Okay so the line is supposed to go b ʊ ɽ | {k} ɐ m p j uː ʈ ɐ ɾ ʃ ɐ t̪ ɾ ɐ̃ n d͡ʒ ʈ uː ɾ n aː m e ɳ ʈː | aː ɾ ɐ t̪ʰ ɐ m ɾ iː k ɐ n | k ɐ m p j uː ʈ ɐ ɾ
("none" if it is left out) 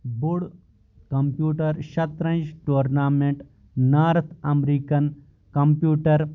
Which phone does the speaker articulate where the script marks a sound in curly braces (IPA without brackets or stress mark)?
k